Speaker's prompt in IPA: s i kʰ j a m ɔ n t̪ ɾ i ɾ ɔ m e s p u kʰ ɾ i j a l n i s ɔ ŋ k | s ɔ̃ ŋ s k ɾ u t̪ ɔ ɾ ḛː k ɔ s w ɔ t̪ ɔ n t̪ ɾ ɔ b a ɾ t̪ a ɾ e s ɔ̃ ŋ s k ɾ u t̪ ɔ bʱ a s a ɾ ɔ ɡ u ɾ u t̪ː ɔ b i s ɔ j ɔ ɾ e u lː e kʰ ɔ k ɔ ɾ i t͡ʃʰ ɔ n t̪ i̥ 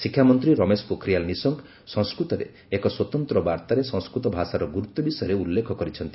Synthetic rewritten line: s i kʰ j a m ɔ n t̪ ɾ i ɾ ɔ m e s p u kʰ ɾ i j a l n i s ɔ ŋ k | s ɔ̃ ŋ s k ɾ u t̪ ɔ ɾ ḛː k ɔ s w ɔ t̪ ɔ n t̪ ɾ ɔ b a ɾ t̪ a ɾ e s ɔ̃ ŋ s k ɾ u t̪ ɔ bʱ a s a ɾ ɔ ɡ u ɾ u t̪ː ɔ b i s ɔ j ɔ ɾ e u lː e kʰ ɔ k ɔ ɾ i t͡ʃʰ ɔ n t̪ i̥